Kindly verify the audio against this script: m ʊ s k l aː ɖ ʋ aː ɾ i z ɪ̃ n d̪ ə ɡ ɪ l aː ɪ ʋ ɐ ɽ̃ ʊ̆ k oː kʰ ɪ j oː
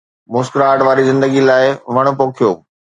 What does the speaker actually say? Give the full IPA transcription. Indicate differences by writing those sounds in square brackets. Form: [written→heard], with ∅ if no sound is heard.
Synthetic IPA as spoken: m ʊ s k [l→ɾ] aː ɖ ʋ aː ɾ i z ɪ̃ n d̪ ə ɡ [ɪ→i] l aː ɪ ʋ ɐ ɽ̃ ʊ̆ [k→p] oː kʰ [ɪ→i] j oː